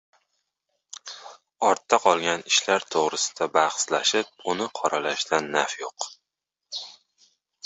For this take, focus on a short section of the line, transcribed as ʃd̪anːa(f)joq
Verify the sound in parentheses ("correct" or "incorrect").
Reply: correct